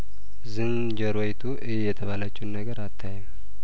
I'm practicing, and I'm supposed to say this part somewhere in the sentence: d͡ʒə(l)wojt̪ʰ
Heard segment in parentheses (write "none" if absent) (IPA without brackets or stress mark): ɾ